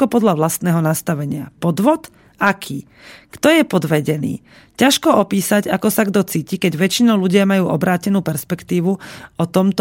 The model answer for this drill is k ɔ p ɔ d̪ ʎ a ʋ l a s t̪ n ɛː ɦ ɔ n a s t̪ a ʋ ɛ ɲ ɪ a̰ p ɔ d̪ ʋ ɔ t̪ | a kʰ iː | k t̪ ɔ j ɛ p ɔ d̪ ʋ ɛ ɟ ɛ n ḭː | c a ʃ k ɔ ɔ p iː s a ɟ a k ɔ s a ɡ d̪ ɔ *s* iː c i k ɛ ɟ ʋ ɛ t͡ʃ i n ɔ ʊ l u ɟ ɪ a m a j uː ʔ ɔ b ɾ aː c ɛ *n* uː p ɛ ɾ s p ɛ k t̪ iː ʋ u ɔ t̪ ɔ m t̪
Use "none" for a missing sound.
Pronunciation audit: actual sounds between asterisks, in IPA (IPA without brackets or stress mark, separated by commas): t͡s, n